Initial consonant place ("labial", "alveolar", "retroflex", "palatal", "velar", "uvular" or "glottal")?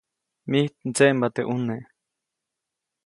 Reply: labial